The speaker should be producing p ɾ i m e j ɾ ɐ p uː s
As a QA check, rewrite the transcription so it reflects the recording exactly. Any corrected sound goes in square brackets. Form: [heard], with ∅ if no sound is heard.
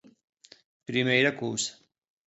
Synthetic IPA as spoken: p ɾ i m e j ɾ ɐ [k] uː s